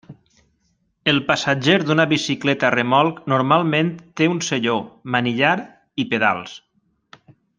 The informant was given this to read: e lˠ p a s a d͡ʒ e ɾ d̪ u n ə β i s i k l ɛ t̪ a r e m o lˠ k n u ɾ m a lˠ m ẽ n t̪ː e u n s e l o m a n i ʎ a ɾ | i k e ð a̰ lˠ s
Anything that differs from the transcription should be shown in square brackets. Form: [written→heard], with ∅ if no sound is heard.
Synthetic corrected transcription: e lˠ p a s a d͡ʒ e ɾ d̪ u n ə β i s i k l ɛ t̪ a r e m [o→ɔ] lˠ k n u ɾ m a lˠ m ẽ n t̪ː e u n s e [l→ʎ] o m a n i ʎ a ɾ | i [k→p] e ð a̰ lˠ s

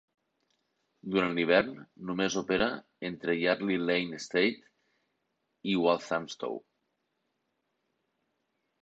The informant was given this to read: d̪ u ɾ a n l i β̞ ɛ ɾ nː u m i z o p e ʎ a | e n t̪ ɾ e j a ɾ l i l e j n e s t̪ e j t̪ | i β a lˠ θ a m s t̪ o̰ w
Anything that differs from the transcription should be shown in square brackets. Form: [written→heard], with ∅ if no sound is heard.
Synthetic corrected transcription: d̪ u ɾ a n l i β̞ ɛ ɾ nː u m [i→e] z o p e [ʎ→ɾ] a | e n t̪ ɾ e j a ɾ l i l e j n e s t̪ e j t̪ | i [β→w] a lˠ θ a m s t̪ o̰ w

